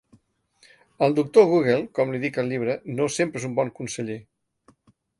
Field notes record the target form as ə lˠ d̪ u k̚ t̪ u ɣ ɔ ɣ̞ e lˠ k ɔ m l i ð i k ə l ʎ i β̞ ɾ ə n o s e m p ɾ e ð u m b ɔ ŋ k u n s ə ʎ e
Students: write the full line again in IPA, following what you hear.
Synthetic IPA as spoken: ə lˠ d̪ u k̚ t̪ o ɣ u ɣ̞ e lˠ k ɔ m l i ð i k ə l ʎ i β̞ ɾ ə n o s e m p ɾ e z u m b ɔ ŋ k u n s ə ʎ e